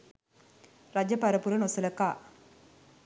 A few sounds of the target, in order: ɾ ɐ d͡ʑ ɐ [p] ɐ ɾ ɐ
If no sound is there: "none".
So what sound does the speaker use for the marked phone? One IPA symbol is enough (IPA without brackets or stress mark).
p